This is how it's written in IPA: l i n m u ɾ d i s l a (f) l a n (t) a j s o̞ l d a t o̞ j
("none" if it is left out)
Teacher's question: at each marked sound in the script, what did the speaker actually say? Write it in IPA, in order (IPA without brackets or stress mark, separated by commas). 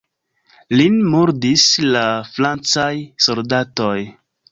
f, t͡s